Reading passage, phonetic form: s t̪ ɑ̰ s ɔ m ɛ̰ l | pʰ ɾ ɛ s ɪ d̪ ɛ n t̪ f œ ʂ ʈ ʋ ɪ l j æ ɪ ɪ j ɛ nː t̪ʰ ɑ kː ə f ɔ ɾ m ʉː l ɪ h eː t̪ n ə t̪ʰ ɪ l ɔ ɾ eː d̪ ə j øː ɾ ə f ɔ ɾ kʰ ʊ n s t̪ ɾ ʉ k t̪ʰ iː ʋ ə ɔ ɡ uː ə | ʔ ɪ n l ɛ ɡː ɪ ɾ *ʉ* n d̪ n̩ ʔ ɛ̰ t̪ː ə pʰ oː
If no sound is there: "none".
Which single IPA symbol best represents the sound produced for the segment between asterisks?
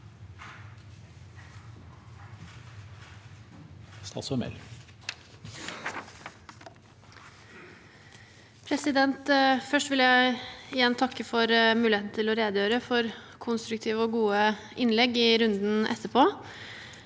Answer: ʉ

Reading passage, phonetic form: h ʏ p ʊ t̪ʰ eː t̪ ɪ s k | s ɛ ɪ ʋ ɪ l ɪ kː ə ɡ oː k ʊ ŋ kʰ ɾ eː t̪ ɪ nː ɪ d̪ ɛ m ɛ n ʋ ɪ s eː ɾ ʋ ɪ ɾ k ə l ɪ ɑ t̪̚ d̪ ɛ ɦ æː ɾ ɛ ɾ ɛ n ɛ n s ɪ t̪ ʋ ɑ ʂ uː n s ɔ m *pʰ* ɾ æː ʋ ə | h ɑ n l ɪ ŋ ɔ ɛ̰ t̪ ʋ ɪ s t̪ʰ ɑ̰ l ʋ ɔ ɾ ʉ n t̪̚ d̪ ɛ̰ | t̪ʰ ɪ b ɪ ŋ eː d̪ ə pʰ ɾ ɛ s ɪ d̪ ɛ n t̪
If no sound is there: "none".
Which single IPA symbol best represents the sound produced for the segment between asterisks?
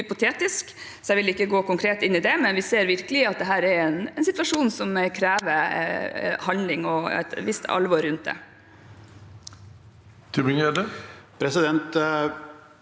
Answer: kʰ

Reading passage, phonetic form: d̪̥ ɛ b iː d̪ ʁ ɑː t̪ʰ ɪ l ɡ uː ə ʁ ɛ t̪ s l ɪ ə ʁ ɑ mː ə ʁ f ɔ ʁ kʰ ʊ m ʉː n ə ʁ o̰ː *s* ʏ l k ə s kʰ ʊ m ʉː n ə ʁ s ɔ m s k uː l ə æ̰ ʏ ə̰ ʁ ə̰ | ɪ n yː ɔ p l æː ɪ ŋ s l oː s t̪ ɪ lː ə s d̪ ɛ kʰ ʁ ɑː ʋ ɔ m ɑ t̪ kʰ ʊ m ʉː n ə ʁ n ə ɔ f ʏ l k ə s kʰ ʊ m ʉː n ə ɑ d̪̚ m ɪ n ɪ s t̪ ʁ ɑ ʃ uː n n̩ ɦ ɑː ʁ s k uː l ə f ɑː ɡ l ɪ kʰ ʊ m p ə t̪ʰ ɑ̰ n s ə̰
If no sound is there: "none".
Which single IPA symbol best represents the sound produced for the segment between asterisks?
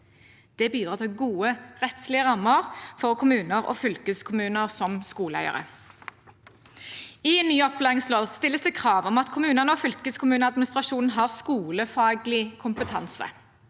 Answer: f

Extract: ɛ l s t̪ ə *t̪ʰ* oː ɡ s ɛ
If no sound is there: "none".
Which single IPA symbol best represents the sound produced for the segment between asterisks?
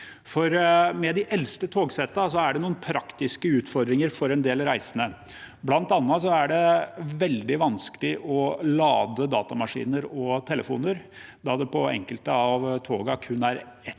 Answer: t̪ʰ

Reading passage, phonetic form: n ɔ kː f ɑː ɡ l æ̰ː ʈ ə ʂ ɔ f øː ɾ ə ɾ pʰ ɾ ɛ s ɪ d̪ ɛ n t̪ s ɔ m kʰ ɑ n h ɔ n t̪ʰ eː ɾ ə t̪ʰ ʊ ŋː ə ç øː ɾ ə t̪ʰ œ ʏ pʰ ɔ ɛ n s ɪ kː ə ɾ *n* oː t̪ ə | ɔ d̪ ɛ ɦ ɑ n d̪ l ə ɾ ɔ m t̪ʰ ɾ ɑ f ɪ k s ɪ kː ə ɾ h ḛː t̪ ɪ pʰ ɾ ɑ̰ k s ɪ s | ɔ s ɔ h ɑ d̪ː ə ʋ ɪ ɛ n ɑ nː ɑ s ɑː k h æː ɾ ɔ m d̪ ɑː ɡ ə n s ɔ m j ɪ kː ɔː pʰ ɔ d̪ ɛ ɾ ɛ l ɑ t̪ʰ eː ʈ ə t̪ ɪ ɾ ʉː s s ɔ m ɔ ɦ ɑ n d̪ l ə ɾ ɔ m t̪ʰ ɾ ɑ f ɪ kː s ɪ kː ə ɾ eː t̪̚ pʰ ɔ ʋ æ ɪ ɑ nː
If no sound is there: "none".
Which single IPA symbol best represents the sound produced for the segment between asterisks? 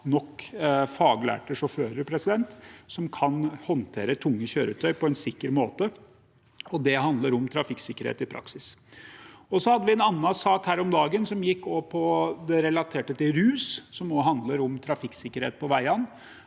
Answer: m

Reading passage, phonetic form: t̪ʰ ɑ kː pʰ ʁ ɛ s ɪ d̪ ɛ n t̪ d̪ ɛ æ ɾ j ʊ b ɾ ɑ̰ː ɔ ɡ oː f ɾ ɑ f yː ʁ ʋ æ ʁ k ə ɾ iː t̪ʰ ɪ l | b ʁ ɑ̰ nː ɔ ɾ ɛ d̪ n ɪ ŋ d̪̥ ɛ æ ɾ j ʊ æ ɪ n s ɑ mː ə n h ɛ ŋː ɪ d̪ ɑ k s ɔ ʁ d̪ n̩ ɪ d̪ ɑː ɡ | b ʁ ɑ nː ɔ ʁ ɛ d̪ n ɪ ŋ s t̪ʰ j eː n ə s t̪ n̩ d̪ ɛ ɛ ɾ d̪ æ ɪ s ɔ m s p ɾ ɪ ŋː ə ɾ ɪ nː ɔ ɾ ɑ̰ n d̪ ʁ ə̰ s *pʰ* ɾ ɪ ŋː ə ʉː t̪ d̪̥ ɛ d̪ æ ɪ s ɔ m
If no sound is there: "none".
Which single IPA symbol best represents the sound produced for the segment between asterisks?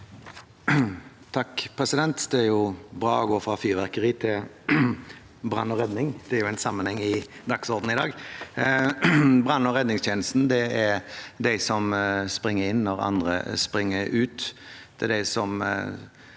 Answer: p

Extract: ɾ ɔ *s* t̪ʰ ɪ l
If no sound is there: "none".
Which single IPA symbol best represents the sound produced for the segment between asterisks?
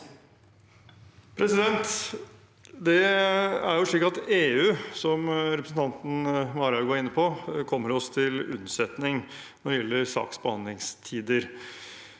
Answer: s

